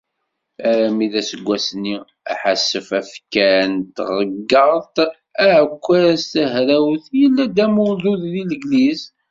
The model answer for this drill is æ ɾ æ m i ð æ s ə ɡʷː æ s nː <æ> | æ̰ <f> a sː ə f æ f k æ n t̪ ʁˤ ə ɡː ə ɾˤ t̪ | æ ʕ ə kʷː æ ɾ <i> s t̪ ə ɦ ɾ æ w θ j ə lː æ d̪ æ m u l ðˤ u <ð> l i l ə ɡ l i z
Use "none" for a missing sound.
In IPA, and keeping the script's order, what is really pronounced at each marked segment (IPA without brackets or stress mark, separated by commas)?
i, ħ, æ, ð